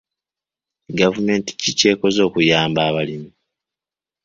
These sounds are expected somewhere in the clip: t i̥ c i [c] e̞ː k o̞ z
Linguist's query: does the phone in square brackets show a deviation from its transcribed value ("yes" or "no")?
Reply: no